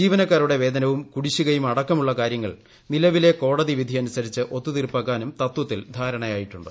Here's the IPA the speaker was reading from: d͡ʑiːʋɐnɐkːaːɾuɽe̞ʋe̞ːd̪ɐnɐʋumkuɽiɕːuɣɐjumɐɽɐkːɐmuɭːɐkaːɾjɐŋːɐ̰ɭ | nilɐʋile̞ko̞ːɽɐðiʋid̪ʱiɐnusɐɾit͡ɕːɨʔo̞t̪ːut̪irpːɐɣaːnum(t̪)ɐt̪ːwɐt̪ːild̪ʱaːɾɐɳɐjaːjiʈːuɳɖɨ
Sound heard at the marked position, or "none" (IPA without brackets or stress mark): t̪